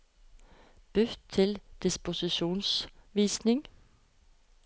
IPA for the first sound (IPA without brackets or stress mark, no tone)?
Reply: b̥